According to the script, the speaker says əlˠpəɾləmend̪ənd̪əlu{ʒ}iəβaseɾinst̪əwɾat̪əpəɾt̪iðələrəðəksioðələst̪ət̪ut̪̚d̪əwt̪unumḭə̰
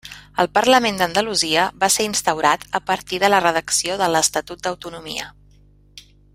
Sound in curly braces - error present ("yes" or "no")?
yes